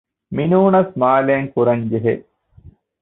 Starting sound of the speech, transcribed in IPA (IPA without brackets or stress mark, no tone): m